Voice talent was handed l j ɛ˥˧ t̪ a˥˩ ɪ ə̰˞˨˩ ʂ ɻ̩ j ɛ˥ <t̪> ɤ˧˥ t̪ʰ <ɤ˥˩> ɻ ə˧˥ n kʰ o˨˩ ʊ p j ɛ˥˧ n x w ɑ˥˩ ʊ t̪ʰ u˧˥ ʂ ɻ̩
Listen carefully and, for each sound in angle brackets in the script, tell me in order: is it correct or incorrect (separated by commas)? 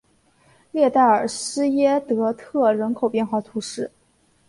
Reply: correct, correct